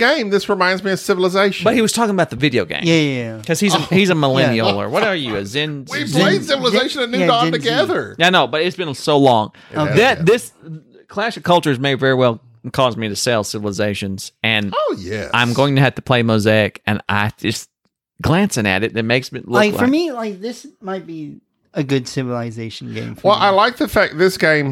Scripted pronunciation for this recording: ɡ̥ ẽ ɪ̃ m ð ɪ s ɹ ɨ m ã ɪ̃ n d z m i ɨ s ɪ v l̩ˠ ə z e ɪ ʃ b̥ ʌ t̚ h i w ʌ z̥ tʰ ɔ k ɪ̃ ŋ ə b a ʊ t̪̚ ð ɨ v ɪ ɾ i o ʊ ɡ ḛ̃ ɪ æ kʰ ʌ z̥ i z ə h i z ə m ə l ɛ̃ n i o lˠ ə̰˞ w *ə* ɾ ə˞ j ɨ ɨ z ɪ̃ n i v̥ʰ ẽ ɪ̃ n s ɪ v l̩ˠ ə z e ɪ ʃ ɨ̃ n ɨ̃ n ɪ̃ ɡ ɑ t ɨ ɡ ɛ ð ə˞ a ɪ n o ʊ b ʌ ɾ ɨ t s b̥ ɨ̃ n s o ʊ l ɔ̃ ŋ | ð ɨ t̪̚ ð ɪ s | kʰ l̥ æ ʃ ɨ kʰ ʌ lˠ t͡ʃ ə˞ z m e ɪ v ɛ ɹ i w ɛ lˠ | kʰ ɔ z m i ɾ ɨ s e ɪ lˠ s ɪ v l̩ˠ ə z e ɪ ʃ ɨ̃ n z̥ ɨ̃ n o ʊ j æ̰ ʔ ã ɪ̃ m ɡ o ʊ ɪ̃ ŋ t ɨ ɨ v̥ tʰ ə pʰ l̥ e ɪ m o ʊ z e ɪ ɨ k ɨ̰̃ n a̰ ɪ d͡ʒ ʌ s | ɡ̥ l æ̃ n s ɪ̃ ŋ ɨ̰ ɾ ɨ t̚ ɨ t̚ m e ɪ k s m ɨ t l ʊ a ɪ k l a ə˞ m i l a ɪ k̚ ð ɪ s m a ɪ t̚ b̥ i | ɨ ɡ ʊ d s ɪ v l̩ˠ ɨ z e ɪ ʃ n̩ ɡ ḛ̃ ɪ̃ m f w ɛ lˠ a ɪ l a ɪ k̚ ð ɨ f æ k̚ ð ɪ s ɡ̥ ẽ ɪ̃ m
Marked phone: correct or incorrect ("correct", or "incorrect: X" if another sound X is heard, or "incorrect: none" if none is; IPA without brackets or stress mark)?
incorrect: ʌ